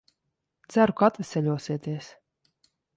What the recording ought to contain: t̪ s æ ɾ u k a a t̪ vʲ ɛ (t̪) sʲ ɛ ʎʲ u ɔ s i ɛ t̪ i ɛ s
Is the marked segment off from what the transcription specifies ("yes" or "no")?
yes